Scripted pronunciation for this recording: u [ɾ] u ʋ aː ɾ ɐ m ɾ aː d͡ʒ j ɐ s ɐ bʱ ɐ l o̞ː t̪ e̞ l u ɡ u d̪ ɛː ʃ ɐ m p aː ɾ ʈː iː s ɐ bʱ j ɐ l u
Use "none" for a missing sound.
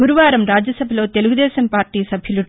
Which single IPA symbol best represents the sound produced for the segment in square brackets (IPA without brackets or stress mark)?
ɾ